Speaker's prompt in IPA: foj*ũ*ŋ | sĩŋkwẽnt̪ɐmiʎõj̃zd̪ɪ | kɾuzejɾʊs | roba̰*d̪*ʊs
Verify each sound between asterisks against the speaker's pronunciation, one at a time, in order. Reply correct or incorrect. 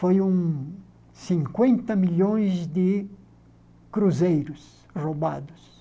correct, correct

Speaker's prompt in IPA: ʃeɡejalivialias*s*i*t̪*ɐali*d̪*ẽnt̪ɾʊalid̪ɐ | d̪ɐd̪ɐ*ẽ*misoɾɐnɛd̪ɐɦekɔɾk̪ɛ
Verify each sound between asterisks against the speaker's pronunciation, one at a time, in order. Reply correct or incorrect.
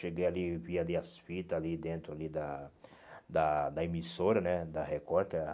incorrect: f, correct, correct, incorrect: e

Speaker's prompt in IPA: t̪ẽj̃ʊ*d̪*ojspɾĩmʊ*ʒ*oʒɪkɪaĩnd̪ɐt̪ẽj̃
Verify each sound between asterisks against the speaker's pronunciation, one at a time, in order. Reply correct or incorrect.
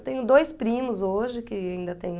correct, incorrect: z

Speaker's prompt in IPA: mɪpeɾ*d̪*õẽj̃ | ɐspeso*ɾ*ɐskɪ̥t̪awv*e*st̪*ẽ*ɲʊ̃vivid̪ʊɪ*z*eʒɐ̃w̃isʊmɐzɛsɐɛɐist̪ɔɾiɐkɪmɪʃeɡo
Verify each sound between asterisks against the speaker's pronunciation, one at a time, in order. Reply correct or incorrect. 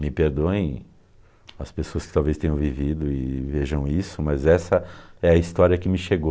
correct, incorrect: none, correct, correct, incorrect: v

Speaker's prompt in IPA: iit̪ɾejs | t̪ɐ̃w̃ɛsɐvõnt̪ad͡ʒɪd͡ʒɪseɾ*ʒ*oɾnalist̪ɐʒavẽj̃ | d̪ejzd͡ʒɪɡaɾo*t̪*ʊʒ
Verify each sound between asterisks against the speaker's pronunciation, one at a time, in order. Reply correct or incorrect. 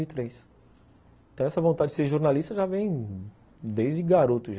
correct, correct

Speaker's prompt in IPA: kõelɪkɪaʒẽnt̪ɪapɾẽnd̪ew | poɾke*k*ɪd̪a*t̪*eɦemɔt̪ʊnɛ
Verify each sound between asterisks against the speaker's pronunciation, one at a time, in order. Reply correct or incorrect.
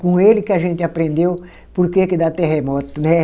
correct, correct

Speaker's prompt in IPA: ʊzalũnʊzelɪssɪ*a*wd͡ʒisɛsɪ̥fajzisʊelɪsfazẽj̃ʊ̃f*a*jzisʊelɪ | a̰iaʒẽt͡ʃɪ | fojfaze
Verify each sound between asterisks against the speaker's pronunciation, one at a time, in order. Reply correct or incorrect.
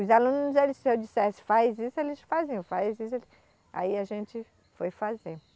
incorrect: e, correct

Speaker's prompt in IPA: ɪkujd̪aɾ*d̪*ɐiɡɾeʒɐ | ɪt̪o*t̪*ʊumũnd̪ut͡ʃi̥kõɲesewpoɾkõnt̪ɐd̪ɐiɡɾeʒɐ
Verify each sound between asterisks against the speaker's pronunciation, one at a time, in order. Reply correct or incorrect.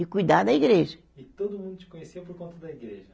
correct, incorrect: d̪

